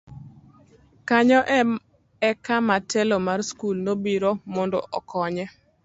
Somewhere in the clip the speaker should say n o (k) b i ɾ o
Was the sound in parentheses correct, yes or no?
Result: no